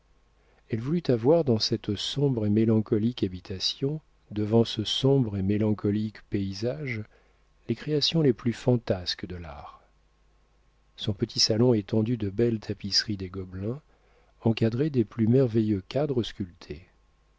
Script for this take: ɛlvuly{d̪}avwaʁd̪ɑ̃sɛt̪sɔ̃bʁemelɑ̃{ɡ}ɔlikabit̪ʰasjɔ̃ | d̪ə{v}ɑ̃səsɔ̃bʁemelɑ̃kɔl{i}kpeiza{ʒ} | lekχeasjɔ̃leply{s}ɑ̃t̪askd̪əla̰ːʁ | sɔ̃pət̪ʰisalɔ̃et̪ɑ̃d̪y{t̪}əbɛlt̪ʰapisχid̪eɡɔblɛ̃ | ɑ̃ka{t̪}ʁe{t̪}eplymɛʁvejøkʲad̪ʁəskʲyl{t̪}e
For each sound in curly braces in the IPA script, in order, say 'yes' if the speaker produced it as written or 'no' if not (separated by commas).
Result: no, no, yes, yes, yes, no, no, no, no, no